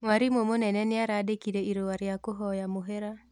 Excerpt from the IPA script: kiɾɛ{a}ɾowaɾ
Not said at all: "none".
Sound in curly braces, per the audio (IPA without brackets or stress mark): i